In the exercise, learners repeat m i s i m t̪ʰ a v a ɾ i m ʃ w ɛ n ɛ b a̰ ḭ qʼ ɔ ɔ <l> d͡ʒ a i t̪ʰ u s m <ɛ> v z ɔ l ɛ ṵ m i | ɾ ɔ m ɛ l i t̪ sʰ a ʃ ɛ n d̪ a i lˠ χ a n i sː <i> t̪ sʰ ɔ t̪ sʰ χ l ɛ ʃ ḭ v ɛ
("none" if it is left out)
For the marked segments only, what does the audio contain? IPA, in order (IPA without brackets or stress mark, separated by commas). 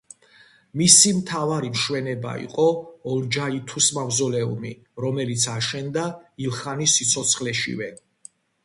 l, a, i